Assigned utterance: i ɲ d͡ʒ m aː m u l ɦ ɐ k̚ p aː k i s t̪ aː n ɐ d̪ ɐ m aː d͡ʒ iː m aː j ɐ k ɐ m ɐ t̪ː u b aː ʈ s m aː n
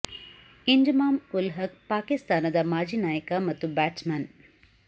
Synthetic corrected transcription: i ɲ d͡ʒ m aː m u l ɦ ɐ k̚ p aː k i s t̪ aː n ɐ d̪ ɐ m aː d͡ʒ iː n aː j ɐ k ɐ m ɐ t̪ː u b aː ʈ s m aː n